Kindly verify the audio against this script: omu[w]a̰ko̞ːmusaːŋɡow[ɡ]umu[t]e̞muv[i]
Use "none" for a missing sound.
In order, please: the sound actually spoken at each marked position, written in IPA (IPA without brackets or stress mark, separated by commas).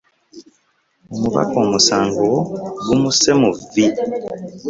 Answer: β, ɡ, s, i